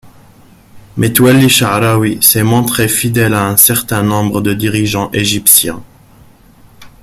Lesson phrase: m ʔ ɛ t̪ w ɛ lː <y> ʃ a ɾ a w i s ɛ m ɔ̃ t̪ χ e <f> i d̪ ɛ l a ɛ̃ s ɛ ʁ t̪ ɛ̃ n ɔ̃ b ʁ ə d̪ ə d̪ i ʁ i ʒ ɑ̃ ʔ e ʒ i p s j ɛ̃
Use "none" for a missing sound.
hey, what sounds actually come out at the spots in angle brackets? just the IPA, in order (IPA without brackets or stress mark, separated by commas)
i, f